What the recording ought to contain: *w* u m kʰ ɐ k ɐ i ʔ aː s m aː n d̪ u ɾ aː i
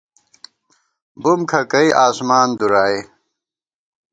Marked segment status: incorrect: b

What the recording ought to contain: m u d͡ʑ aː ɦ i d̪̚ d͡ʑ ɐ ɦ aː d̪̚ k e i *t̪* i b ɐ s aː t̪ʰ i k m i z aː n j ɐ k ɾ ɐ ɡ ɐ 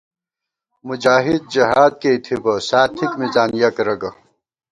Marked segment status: incorrect: t̪ʰ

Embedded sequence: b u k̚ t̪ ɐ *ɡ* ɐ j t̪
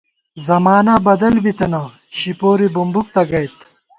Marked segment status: correct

